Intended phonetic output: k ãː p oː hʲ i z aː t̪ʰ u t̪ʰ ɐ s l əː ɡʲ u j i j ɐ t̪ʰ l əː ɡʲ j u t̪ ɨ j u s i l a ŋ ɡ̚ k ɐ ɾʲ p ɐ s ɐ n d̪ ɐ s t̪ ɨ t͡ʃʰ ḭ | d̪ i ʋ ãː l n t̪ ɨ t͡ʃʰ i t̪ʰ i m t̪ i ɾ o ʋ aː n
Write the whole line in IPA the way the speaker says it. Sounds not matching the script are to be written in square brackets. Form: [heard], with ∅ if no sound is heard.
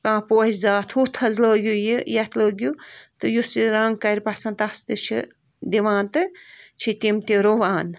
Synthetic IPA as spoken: k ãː p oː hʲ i z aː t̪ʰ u t̪ʰ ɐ [z] l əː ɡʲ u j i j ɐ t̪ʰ l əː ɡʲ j u t̪ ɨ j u s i [ɾ] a ŋ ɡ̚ k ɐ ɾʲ p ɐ s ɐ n [t̪] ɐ s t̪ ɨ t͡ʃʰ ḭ | d̪ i ʋ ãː [∅] n t̪ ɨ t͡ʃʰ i [t̪] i m t̪ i ɾ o ʋ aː n